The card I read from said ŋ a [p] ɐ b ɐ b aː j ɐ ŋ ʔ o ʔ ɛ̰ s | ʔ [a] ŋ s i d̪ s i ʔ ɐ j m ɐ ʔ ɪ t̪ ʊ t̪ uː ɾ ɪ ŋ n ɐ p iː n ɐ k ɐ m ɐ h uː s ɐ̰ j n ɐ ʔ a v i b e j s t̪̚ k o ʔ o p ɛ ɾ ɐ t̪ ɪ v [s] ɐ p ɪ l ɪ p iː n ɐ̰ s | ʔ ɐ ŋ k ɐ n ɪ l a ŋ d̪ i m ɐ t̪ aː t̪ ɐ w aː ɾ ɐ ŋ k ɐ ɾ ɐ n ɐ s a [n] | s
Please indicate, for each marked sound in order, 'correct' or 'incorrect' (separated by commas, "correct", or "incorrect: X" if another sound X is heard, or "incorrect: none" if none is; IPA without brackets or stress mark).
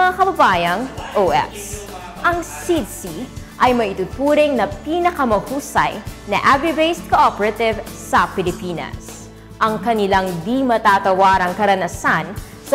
incorrect: k, incorrect: ɐ, correct, correct